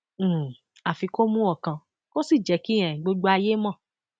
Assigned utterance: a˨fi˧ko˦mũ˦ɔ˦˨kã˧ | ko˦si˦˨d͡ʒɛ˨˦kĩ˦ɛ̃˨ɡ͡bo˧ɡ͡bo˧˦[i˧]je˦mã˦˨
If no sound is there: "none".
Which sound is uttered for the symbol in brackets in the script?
a˧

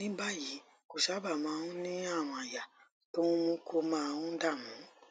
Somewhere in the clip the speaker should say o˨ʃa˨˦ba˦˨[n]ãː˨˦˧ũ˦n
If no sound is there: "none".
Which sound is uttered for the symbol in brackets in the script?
m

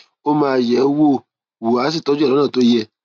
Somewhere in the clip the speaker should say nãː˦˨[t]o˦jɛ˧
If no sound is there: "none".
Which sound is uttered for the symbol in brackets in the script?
t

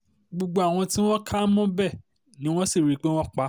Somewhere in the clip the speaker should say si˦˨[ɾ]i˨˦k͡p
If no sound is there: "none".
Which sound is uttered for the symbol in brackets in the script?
ɾ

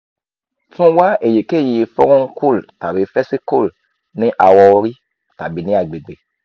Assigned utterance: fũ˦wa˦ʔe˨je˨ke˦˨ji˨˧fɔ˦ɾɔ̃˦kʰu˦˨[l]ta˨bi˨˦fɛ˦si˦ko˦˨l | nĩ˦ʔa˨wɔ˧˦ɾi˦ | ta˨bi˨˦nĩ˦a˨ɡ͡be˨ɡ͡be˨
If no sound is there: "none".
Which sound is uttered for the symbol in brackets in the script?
l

